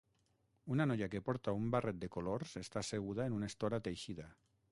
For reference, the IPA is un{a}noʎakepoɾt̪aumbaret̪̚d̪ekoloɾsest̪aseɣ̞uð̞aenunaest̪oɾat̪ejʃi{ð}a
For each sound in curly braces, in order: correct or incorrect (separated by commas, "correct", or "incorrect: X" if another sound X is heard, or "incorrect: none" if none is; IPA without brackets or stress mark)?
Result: correct, correct